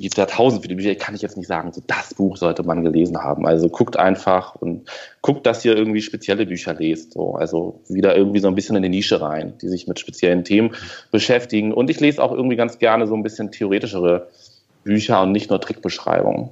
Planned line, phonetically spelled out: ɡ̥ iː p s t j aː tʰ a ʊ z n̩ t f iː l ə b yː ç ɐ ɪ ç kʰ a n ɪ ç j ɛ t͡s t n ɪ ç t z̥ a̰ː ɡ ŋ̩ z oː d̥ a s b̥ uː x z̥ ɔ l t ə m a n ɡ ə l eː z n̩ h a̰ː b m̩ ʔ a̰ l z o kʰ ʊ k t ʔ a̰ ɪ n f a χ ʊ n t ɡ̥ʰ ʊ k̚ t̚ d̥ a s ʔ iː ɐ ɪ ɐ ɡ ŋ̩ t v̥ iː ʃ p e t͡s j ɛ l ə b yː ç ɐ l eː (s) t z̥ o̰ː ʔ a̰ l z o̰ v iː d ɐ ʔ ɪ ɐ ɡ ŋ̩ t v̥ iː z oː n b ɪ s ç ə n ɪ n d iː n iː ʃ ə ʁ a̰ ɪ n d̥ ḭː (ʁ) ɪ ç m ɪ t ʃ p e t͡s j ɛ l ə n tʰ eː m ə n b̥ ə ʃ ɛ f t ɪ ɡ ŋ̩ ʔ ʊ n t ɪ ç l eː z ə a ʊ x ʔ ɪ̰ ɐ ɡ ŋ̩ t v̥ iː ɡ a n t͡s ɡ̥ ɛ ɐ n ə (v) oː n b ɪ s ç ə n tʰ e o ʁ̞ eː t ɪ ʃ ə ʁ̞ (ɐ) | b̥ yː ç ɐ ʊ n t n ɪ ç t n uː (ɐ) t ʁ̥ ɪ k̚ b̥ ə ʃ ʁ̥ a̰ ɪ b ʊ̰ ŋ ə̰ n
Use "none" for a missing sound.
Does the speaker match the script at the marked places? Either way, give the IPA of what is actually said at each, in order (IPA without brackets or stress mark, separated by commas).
s, z, z, ə, ɐ